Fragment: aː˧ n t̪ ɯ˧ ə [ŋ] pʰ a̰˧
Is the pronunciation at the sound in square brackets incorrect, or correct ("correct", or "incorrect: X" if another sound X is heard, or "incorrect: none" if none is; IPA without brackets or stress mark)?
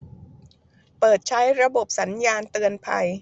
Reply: incorrect: n